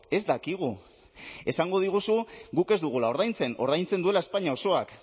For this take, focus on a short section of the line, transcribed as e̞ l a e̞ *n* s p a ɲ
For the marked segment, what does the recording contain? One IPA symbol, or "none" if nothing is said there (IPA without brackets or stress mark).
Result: none